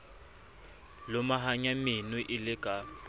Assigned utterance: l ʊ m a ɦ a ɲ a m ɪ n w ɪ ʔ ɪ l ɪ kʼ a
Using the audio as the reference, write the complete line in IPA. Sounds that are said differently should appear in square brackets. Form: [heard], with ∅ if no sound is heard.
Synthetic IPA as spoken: l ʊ m a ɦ a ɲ a m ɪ n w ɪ ʔ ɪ l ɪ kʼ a